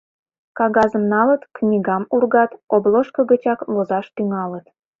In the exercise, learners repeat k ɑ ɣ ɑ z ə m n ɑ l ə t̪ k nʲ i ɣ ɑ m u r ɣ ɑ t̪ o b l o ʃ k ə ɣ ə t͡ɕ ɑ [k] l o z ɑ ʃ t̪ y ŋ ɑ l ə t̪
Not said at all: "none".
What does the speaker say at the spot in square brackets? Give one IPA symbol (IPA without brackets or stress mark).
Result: k